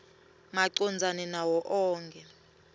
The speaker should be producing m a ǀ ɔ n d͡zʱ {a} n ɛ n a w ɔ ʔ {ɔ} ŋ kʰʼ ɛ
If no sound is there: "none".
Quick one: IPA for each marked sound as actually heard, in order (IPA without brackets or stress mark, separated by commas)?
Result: a, ɔː